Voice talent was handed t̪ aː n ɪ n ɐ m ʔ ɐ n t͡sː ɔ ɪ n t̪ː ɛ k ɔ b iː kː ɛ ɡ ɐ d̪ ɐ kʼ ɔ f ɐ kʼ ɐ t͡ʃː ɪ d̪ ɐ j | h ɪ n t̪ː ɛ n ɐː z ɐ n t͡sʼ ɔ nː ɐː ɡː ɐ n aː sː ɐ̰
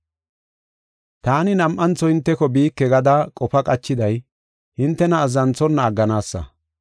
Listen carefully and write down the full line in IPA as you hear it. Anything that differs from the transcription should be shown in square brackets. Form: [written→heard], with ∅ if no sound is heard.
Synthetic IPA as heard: t̪ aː n ɪ n ɐ m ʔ ɐ n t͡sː ɔ ɪ n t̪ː ɛ k ɔ b iː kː ɛ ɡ ɐ d̪ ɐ kʼ ɔ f ɐ kʼ ɐ t͡ʃː ɪ d̪ ɐ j | h ɪ n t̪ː ɛ n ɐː z ɐ n [t͡sʼ→t͡s] ɔ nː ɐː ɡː ɐ n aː sː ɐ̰